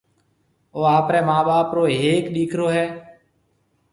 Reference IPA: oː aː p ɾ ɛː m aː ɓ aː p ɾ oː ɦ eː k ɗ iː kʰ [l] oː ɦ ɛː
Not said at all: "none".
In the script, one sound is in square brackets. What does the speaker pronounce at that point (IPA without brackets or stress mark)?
ɾ